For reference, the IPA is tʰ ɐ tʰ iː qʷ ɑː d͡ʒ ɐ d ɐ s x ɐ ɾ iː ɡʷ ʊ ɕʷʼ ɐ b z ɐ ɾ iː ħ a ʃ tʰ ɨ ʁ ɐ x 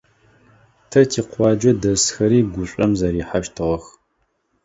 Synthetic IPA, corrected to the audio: tʰ ɐ tʰ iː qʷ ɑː d͡ʒ ɐ d ɐ s x ɐ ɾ iː ɡʷ ʊ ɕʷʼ ɐ m z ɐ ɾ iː ħ a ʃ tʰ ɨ ʁ ɐ x